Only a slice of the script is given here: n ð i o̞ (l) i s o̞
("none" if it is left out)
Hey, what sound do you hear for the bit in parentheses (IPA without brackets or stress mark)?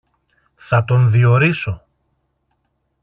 ɾ